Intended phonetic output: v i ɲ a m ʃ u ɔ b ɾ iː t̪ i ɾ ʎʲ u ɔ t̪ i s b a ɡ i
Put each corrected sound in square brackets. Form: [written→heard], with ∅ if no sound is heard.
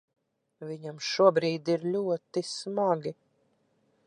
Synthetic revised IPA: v i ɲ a m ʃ u ɔ b ɾ iː [t̪→d̪] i ɾ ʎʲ u ɔ t̪ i s [b→m] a ɡ i